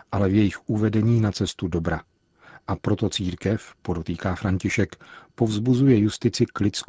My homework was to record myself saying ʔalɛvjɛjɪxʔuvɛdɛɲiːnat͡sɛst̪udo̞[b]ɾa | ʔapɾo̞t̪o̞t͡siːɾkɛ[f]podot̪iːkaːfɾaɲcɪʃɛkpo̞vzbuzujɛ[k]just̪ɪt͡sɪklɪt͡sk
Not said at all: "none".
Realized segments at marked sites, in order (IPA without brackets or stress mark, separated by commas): b, f, none